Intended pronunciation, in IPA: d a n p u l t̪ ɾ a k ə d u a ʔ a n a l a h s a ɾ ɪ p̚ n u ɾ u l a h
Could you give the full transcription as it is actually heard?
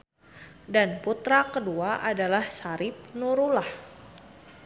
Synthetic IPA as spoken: d a n p u t̪ ɾ a k ə d u a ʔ a d a l a h s a ɾ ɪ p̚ n u ɾ u l a h